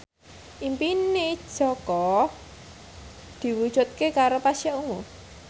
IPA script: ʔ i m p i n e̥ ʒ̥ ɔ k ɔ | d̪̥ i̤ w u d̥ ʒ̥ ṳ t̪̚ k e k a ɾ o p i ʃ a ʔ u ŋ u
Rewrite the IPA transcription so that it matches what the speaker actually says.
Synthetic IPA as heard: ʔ i m p i n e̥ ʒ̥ ɔ k ɔ | d̪̥ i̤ w u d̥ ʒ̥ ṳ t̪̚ k e k a ɾ o p a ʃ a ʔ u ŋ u

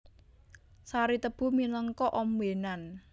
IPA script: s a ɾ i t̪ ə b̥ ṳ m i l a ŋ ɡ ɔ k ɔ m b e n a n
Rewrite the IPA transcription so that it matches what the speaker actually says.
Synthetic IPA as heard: s a ɾ i t̪ ə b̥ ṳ m i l ə ŋ k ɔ ʔ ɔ m w e n a n

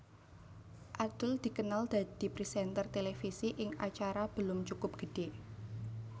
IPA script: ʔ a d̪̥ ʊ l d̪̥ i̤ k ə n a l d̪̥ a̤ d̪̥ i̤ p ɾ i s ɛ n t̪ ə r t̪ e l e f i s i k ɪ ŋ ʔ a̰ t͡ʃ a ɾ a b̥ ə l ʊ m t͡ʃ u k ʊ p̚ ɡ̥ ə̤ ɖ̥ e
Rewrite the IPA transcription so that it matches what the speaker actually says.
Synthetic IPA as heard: ʔ a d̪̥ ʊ l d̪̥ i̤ k ə n a l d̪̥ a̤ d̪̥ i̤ p ɾ i s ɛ n t̪ ə r t̪ e l e f i s i ʔ ɪ ŋ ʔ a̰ t͡ʃ a ɾ a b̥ ə l ʊ m t͡ʃ u k ʊ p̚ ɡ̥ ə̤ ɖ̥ e

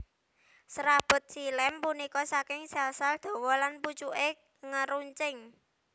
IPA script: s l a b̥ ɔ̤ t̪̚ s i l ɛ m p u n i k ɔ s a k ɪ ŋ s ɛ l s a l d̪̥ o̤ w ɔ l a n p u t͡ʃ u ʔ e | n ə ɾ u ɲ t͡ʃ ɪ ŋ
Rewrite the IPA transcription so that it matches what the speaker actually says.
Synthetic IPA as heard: s ɾ a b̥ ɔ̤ t̪̚ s i l ɛ m p u n i k ɔ s a k ɪ ŋ s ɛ l s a l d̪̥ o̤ w ɔ l a n p u t͡ʃ u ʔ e | ŋ ə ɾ u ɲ t͡ʃ ɪ ŋ

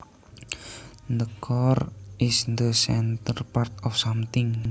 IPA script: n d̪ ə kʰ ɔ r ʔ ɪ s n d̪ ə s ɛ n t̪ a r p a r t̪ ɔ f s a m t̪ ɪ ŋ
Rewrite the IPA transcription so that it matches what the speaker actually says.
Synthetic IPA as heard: n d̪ ə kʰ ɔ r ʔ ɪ s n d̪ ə s ɛ n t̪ ə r p a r t̪ ɔ f s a m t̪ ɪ ŋ

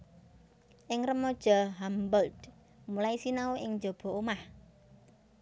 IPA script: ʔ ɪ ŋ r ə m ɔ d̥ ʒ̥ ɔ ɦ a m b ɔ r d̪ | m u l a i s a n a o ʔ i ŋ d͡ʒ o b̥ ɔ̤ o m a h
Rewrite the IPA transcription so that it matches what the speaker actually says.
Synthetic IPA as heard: ʔ ɪ ŋ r ə m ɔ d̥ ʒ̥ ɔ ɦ a m b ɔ l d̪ | m u l a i s i n a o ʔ ɪ ŋ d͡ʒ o b̥ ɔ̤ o m a h

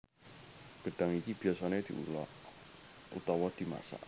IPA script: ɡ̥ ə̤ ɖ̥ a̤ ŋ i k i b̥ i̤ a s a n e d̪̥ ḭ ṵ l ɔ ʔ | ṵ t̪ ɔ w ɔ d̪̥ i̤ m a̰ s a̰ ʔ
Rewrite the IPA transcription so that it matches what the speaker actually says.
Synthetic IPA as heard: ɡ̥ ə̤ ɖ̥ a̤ ŋ i k i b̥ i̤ a s a n e d̪̥ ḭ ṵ l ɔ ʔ | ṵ t̪ ɔ w ɔ d̪̥ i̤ m a̰ s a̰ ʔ

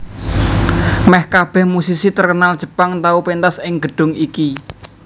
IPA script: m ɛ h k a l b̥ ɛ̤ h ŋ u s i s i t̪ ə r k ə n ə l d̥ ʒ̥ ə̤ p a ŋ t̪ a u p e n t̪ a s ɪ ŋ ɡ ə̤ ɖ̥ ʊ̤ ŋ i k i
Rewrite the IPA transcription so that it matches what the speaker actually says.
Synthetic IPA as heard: m ɛ h k a b̥ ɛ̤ h m u s i s i t̪ ə r k ə n a l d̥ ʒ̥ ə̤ p a ŋ t̪ a u p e n t̪ a s ɪ ŋ ɡ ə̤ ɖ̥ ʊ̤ ŋ i k i

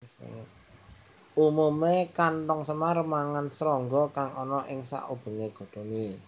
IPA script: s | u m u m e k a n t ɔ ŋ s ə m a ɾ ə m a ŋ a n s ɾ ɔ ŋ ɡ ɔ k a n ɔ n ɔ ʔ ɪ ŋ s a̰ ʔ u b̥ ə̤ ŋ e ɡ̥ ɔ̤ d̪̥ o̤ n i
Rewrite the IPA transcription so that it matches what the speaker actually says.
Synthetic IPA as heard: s | u m u m e k a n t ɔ ŋ s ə m a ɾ ə m a ŋ a n s ɾ ɔ ŋ ɡ ɔ k a ŋ ɔ n ɔ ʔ ɪ ŋ s a̰ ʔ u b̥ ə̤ ŋ e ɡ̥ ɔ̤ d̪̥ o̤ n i

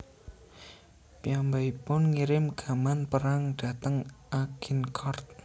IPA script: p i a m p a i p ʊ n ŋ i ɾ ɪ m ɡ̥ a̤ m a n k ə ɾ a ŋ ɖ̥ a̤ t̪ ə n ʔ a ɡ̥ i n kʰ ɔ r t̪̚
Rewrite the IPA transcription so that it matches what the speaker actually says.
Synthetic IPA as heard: p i a m b a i p ʊ n ŋ i ɾ ɪ m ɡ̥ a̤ m a n p ə ɾ a ŋ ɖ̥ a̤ t̪ ə ŋ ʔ a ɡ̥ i n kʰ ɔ r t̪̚

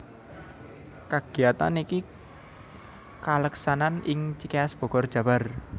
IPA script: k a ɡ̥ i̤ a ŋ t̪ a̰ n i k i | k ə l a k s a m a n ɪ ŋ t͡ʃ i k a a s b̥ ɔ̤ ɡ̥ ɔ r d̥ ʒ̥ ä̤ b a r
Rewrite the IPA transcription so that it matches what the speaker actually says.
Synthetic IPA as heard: k a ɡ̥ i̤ a t̪ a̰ n i k i | k a l ə k s a n a n ɪ ŋ t͡ʃ i k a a s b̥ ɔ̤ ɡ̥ ɔ r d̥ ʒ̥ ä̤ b a r

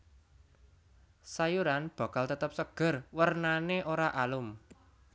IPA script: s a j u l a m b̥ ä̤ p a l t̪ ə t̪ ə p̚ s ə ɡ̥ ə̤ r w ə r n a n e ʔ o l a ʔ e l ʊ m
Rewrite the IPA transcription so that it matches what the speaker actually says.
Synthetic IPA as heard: s a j u ɾ a n b̥ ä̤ k a l t̪ ə t̪ ə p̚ s ə ɡ̥ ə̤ r w ə r n a n e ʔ o ɾ a ʔ a l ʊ m

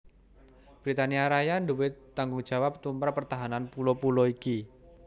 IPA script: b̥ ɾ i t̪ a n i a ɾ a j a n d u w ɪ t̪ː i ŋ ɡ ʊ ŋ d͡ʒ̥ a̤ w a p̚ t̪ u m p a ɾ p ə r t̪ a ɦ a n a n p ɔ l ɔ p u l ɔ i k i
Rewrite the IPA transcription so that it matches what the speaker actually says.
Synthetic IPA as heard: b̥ ɾ i t̪ a n i a ɾ a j a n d u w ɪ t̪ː a ŋ ɡ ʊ ŋ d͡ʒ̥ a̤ w a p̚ t̪ u m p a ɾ p ə r t̪ a ɦ a n a n p u l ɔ p u l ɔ i k i

